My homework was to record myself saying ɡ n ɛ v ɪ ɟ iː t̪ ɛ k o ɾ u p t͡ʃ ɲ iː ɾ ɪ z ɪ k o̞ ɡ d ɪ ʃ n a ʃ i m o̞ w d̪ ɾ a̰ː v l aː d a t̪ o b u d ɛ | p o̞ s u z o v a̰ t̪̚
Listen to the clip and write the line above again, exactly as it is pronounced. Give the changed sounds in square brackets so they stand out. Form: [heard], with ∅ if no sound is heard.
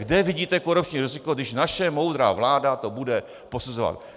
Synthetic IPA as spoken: ɡ [d] ɛ v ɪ ɟ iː t̪ ɛ k o ɾ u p t͡ʃ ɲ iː ɾ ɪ z ɪ k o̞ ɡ d ɪ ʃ n a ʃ [ɛ] m o̞ w d̪ ɾ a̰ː v l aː d a t̪ o b u d ɛ | p o̞ s u z o v a̰ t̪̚